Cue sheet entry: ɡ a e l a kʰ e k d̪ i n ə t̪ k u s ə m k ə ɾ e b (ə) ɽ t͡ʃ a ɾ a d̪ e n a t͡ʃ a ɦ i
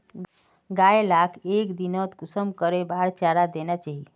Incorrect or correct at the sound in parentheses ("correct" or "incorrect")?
incorrect